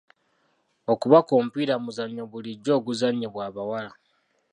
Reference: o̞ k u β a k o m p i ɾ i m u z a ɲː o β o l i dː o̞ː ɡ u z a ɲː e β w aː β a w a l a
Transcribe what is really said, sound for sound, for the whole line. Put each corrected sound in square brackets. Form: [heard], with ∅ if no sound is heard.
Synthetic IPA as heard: o̞ k u β a k o m p i ɾ [a] m u z a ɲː o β [u] l i [ɟː] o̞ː ɡ u z a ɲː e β w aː β a w a l a